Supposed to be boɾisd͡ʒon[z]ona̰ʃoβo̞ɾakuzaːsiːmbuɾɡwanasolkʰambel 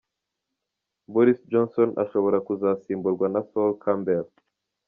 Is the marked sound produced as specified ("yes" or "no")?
no